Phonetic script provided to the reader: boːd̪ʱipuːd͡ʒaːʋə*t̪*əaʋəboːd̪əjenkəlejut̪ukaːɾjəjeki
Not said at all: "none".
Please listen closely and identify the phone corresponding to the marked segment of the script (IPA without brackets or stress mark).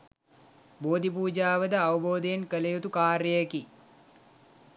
d̪